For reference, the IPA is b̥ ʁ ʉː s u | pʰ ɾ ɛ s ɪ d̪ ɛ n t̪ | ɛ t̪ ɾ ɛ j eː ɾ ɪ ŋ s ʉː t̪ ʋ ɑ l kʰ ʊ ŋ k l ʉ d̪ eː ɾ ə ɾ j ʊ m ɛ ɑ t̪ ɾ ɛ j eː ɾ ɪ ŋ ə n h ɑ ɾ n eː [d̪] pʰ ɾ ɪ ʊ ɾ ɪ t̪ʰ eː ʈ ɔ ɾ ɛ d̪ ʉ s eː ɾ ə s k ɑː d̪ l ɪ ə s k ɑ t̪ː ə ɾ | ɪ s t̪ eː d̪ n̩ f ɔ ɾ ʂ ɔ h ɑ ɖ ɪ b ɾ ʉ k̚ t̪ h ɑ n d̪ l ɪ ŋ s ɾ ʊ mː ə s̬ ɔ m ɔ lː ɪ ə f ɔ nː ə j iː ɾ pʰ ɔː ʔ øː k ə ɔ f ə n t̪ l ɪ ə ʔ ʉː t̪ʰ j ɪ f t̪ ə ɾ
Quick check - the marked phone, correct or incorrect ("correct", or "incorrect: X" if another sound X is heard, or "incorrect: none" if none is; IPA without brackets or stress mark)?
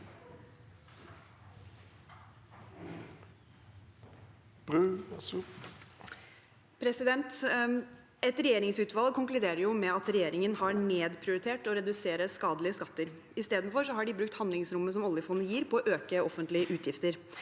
correct